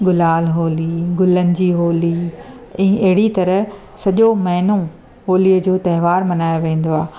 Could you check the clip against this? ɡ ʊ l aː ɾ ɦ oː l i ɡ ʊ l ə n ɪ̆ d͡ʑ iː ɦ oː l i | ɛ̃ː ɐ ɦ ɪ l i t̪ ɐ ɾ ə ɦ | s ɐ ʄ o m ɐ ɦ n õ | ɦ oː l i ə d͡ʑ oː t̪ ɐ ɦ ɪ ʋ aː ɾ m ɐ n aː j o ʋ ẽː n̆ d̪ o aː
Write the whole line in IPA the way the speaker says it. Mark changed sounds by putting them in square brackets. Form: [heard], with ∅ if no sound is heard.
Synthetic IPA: ɡ ʊ l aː [l] ɦ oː l i ɡ ʊ l ə n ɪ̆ d͡ʑ iː ɦ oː l i | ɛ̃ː ɐ ɦ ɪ [ɽ] i t̪ ɐ ɾ ə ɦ | s ɐ ʄ o m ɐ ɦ n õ | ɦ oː l i ə d͡ʑ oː t̪ ɐ ɦ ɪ ʋ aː ɾ m ɐ n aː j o ʋ ẽː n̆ d̪ o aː